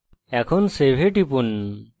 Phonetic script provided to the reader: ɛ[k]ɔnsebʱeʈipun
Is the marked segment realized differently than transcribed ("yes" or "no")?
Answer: yes